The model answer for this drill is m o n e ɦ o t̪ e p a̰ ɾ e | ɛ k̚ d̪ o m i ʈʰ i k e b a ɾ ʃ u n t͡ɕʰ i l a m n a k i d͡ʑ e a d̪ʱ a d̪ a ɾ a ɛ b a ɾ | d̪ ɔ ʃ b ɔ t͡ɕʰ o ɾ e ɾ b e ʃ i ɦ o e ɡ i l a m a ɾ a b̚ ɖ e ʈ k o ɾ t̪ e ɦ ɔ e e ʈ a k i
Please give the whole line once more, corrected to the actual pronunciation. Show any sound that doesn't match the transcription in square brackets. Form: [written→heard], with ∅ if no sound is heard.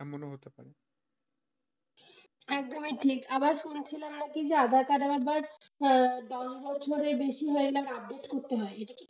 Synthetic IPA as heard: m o n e ɦ o t̪ e p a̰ ɾ e | ɛ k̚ d̪ o m i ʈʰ i k [e→a] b a ɾ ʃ u n t͡ɕʰ i l a m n a k i d͡ʑ e a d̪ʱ a [d̪→t̪] a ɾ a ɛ b a ɾ | d̪ ɔ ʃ b ɔ t͡ɕʰ o ɾ e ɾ b e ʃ i ɦ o e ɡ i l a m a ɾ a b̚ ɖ e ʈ k o ɾ t̪ e ɦ ɔ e e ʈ a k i